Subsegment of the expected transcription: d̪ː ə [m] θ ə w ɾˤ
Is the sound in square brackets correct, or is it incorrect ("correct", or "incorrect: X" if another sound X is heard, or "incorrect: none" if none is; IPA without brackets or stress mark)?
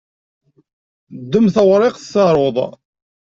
correct